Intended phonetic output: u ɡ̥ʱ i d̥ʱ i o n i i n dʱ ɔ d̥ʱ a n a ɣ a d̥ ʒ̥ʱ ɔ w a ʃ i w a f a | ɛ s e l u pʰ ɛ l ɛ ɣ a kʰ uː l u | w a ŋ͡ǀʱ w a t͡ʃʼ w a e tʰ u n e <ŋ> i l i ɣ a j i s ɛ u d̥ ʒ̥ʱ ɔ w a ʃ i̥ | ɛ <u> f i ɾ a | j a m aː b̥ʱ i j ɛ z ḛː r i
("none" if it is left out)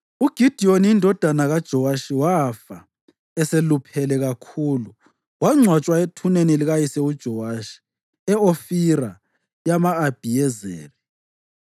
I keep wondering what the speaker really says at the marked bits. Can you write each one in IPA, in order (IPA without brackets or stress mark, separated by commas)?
n, o